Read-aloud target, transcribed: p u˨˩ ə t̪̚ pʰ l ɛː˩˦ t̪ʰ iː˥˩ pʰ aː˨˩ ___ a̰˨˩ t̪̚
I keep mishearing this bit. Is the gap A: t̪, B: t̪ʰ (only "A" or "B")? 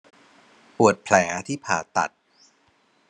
A